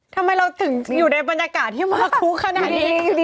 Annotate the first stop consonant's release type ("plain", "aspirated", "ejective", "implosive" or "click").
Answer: aspirated